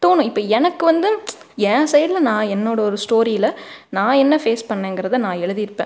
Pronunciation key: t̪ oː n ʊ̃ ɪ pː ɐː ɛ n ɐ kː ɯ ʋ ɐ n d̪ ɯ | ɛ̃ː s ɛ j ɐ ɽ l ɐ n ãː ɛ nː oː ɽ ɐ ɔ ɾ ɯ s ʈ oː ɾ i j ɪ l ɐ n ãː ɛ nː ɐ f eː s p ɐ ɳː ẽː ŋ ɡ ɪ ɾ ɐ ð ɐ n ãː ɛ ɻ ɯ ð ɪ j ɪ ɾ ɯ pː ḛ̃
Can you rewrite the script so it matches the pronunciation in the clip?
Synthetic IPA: t̪ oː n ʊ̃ ɪ pː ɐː ɛ n ɐ kː ɯ ʋ ɐ n d̪ ɯ | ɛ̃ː s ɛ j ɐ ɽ l ɐ n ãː ɛ nː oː ɽ ɐ ɔ ɾ ɯ s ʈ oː ɾ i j ɪ l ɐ n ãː ɛ nː ɐ f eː s p ɐ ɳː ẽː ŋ ɡ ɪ ɾ ɐ ð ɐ n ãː ɛ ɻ ɯ ð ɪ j ɪ ɾ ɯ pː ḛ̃